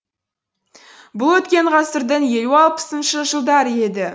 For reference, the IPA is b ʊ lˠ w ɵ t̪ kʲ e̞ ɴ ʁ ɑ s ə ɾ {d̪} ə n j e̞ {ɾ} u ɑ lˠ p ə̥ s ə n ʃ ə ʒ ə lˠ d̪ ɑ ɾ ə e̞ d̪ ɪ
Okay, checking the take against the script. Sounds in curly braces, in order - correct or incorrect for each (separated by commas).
correct, incorrect